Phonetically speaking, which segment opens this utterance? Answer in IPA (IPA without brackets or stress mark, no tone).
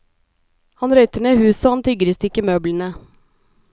h